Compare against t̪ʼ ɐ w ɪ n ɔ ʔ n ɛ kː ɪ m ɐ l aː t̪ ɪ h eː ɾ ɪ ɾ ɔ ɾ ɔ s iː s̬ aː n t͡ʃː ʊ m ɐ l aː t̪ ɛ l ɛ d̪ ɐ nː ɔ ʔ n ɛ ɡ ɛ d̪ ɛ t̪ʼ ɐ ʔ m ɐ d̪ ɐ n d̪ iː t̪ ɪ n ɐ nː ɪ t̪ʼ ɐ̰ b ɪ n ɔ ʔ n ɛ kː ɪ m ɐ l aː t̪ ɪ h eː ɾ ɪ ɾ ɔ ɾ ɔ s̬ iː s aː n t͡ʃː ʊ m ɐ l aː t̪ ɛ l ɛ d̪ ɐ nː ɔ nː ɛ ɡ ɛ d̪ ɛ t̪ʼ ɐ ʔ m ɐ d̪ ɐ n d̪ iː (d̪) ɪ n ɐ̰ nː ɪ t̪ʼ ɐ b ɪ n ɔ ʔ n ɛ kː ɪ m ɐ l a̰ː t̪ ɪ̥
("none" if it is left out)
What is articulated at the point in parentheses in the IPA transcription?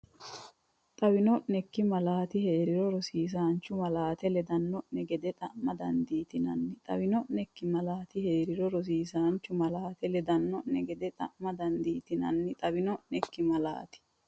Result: t̪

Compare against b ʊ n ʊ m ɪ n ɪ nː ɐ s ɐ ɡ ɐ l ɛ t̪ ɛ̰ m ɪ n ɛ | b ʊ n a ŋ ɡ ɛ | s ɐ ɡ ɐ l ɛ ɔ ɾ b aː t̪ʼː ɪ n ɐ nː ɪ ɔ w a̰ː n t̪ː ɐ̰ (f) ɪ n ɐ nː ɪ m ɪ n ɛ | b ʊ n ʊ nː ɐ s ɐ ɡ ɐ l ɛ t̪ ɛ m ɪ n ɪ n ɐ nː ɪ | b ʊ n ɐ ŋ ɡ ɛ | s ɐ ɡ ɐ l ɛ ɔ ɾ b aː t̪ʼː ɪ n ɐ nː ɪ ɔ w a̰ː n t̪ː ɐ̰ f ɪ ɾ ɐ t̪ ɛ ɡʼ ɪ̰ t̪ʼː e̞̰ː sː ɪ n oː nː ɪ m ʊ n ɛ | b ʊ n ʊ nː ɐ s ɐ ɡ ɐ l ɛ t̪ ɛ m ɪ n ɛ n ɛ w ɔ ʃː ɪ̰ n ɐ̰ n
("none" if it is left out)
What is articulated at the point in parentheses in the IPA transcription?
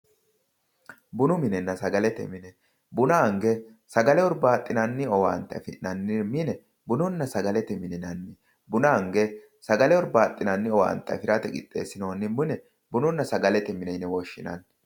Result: f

